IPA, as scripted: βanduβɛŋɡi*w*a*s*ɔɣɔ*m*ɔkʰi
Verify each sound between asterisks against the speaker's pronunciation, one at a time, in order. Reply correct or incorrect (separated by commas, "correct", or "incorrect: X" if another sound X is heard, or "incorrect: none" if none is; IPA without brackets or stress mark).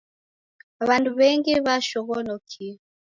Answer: incorrect: β, incorrect: ʃ, incorrect: n